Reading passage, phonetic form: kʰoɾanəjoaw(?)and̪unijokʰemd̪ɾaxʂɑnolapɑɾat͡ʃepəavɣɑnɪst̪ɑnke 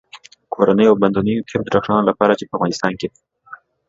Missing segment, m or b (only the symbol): b